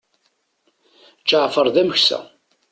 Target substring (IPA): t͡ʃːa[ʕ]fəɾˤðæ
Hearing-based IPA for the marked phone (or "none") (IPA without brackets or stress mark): ʕ